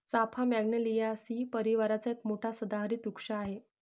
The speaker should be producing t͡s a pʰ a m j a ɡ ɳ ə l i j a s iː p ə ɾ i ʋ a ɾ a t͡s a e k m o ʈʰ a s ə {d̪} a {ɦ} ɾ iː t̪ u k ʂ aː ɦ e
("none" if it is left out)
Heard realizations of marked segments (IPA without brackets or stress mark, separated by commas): d̪, ɦ